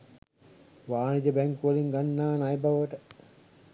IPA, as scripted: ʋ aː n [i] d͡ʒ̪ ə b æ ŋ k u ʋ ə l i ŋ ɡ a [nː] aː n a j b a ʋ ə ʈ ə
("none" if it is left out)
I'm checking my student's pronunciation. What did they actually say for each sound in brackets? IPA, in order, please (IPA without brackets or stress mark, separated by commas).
i, nː